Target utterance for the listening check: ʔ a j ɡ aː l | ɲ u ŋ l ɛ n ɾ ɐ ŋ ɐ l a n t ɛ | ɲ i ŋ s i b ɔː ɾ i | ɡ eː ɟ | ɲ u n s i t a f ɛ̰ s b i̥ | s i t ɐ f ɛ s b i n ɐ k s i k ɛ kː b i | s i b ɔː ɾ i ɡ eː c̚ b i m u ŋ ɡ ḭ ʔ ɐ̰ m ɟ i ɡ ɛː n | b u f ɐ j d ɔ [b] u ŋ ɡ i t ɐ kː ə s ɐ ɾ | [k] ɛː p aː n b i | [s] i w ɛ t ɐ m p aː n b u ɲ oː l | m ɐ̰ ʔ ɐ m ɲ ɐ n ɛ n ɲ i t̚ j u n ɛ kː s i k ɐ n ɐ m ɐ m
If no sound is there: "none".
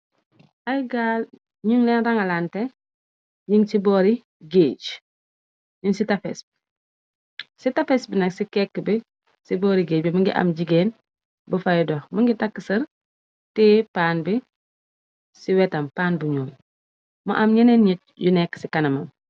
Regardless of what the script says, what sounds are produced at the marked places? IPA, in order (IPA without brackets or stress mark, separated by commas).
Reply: m, t, s